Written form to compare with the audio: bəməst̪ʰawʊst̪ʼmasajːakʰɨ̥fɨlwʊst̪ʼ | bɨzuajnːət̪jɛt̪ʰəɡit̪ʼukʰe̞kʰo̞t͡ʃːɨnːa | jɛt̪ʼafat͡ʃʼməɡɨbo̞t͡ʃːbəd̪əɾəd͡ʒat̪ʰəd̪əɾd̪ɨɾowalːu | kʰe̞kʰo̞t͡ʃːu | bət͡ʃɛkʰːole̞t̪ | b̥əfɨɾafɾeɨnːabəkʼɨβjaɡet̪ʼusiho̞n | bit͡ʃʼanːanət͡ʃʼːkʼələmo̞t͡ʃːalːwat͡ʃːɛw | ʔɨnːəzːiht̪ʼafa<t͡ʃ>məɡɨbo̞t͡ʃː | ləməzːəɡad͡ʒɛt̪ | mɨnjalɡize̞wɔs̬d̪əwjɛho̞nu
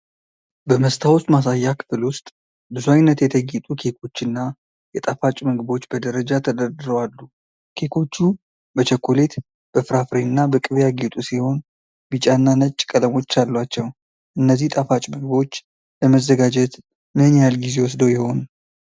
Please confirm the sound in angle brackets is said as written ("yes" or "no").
no